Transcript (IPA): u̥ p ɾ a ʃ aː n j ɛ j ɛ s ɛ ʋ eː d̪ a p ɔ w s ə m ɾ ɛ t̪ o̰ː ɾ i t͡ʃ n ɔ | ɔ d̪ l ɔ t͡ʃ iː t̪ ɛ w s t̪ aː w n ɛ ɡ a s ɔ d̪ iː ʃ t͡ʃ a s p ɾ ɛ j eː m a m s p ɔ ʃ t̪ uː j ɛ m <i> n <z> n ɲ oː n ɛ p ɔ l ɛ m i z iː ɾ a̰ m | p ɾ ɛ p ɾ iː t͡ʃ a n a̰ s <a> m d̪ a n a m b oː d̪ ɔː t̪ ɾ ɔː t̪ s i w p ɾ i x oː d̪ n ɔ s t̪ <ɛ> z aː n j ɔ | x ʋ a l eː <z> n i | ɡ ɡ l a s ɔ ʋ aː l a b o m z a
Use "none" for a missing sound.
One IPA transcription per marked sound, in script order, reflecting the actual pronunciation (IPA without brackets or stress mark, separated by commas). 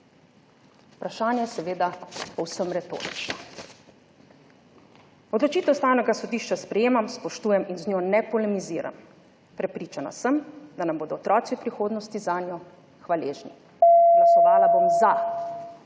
i, z, ə, i, ʒ